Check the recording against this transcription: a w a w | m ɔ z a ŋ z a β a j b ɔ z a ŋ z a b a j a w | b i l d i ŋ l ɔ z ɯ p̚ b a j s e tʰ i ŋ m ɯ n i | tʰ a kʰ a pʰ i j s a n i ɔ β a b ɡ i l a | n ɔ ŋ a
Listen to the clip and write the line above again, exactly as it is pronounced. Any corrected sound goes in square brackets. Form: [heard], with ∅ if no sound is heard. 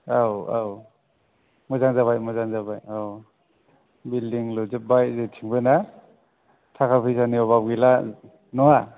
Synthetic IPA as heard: a w a w | m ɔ z a ŋ z a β a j [m] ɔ z a ŋ z a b a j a w | b i l d i ŋ l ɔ z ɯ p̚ b a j [z] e tʰ i ŋ [b] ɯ n [a] | tʰ a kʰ a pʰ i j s a n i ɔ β a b ɡ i l a | n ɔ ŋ a

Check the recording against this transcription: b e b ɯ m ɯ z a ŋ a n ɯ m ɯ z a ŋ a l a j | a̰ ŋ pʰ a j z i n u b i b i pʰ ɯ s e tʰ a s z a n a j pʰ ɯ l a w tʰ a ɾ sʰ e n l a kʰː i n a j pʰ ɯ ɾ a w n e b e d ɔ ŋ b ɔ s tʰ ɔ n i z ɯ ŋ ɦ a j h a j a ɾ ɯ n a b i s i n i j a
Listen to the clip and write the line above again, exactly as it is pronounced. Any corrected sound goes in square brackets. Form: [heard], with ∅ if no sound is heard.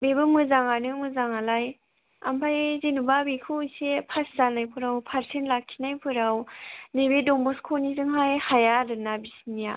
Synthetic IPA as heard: b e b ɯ m ɯ z a ŋ a n ɯ m ɯ z a ŋ a l a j | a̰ [m] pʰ a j z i n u b [a] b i [kʰ] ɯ s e [pʰ] a s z a n a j pʰ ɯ [ɾ] a w [pʰ] a ɾ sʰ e n l a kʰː i n a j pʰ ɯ ɾ a w n e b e d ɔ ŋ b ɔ s [kʰ] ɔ n i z ɯ ŋ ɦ a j h a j a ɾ ɯ n a b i s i n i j a

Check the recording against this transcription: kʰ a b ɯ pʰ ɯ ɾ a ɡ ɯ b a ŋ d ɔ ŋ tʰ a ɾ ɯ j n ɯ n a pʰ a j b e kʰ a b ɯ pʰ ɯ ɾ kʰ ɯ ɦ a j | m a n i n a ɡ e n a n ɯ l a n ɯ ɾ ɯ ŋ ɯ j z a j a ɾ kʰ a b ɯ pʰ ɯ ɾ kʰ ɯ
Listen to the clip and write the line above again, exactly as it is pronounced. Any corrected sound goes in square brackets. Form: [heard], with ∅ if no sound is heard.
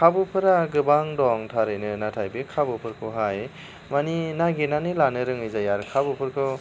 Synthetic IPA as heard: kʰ a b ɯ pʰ ɯ ɾ a ɡ ɯ b a ŋ d ɔ ŋ tʰ a ɾ ɯ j n ɯ n a [tʰ] a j b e kʰ a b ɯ pʰ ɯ ɾ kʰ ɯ ɦ a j | m a n i n a ɡ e n a n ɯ l a n ɯ ɾ ɯ ŋ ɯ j z a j a ɾ kʰ a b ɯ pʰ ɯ ɾ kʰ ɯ

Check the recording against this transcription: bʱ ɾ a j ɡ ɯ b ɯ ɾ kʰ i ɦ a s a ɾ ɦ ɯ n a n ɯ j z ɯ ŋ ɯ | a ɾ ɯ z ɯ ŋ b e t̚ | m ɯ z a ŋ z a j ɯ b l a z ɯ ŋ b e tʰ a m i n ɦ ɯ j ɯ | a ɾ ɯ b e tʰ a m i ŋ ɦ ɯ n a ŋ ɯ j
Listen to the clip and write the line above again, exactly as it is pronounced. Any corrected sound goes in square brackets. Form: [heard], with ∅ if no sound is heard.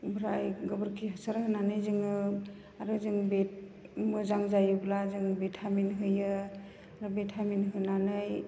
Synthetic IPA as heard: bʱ ɾ a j ɡ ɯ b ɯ ɾ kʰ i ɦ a s a ɾ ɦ ɯ n a n ɯ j z ɯ ŋ ɯ | a ɾ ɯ z ɯ ŋ b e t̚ | m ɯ z a ŋ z a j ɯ b l a z ɯ ŋ b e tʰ a m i n ɦ ɯ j ɯ | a ɾ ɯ b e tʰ a m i [n] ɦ ɯ n a [n] ɯ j

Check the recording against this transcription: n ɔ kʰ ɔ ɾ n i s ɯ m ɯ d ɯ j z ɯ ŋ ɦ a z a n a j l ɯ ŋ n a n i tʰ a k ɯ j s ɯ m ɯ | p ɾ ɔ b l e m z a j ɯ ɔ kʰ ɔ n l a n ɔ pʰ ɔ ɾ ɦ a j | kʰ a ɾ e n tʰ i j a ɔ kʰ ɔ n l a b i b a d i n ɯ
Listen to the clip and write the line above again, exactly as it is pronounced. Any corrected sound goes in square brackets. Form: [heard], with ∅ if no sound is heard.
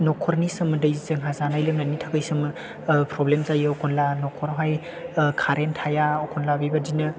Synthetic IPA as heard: n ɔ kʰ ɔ ɾ n i s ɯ m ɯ d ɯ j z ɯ ŋ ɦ a z a n a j l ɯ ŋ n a n i tʰ a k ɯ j s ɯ m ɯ | p ɾ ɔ b l e m z a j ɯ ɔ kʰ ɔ n l a n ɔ [kʰ] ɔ ɾ ɦ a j | kʰ a ɾ e n tʰ [a] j a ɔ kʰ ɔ n l a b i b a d i n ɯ

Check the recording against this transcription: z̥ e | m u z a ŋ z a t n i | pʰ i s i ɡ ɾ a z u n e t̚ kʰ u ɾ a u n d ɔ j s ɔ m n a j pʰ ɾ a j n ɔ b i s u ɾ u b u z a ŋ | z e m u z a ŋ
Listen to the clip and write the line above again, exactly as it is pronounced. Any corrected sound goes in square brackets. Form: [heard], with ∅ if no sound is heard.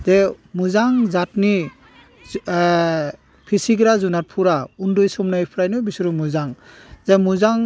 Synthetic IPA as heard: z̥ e | m u z a ŋ z a t n i | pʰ i s i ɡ ɾ a z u n [a] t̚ [pʰ] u ɾ a u n d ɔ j s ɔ m n a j pʰ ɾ a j n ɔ b i s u ɾ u [m] u z a ŋ | z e m u z a ŋ

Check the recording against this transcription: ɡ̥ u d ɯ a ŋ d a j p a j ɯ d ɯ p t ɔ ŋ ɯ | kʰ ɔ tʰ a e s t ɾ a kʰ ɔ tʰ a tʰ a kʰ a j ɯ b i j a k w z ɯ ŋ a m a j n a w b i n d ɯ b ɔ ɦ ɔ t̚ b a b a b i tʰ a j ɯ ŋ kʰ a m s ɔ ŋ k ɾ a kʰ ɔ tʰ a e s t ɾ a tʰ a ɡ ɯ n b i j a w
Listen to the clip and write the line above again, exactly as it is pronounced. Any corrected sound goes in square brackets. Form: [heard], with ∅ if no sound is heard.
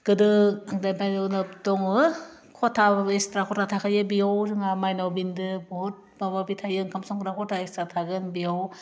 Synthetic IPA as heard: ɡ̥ [ɯ] d ɯ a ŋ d a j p a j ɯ [n] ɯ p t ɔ ŋ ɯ | kʰ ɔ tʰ a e s t ɾ a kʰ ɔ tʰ a tʰ a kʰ a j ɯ b i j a [∅] w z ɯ ŋ a m a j n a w b i n d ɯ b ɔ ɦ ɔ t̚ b a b a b i tʰ a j ɯ ŋ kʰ a m s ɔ ŋ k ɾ a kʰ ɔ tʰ a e s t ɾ a tʰ a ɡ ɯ n b i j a w

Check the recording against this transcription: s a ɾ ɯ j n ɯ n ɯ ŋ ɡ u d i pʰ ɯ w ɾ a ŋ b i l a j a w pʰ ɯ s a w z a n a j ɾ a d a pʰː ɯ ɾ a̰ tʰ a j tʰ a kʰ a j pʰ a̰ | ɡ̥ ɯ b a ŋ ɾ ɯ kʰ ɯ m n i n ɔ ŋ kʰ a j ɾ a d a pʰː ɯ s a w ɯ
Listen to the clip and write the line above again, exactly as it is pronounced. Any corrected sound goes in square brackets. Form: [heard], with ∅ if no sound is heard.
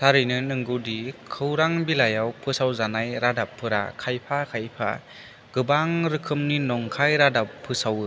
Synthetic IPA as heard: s a ɾ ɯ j n ɯ n ɯ ŋ ɡ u d i [kʰ] ɯ w ɾ a ŋ b i l a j a w pʰ ɯ s a w z a n a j ɾ a d a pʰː ɯ ɾ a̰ [kʰ] a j [pʰ] a kʰ a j pʰ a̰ | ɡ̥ ɯ b a ŋ ɾ ɯ kʰ ɯ m n i n ɔ ŋ kʰ a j ɾ a d a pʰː ɯ s a w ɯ

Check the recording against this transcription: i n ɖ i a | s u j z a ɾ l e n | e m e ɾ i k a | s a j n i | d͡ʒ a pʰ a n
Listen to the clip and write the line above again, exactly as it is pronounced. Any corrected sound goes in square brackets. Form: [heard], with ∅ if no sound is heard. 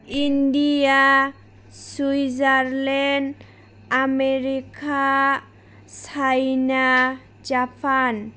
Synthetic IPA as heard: i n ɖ i a | s u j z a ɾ l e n | [a] m e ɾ i k a | s a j n [a] | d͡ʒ a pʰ a n

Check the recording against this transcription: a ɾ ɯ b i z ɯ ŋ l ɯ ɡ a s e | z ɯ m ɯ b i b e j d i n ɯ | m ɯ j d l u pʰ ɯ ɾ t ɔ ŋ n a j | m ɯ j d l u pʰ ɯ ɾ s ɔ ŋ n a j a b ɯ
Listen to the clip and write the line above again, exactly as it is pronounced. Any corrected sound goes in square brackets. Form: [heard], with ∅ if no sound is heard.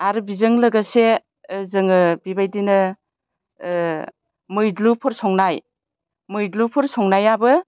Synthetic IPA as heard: a ɾ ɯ b i z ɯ ŋ l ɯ ɡ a s e | z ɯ [ŋ] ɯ b i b [a] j d i n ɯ | m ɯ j d l u pʰ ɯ ɾ [s] ɔ ŋ n a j | m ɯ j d l u pʰ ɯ ɾ s ɔ ŋ n a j a b ɯ

